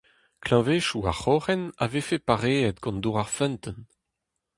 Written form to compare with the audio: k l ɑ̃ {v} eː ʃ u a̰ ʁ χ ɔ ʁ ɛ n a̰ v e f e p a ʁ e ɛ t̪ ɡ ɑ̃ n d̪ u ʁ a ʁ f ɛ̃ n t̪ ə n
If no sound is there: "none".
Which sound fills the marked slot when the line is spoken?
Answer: v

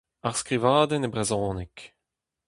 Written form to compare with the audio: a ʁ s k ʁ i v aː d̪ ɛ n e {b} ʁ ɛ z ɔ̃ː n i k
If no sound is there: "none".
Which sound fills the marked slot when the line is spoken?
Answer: b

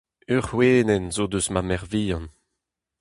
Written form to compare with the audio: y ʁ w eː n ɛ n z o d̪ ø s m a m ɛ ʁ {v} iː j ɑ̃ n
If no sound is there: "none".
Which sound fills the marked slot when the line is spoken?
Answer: v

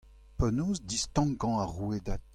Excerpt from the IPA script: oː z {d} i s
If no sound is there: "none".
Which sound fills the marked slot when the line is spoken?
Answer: d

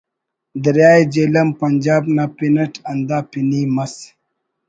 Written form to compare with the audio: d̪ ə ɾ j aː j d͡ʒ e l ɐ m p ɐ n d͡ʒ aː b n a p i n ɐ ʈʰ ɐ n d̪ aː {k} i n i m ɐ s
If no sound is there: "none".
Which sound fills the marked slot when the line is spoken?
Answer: p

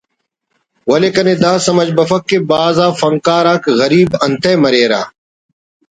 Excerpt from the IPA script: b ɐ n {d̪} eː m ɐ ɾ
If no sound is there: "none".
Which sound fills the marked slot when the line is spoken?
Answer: t̪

